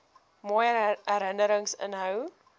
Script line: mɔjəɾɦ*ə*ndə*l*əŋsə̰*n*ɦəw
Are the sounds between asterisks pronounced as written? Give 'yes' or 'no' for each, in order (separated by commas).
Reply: yes, no, yes